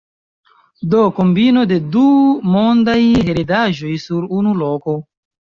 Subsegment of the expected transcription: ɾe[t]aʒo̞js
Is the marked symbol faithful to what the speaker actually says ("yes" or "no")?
no